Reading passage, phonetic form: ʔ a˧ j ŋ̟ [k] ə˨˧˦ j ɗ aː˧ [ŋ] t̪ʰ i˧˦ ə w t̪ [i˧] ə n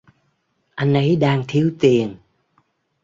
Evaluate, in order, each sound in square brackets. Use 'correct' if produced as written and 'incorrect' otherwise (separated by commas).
incorrect, correct, incorrect